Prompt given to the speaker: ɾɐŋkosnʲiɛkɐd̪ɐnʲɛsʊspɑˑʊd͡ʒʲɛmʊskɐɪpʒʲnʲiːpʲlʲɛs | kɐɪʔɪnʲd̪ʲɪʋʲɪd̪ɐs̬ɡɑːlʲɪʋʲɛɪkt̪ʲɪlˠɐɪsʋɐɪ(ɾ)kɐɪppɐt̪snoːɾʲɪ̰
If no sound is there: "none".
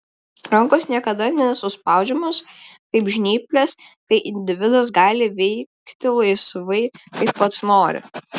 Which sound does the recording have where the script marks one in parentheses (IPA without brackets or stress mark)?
none